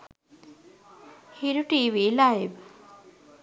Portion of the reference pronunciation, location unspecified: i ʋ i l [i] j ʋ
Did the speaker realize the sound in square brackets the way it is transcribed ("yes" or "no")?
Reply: no